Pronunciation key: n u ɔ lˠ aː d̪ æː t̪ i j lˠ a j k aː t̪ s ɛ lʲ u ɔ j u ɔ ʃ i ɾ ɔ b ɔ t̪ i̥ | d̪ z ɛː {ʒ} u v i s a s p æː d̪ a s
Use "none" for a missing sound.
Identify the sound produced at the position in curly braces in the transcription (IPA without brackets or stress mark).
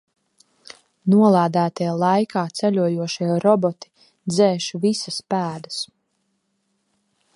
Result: ʃ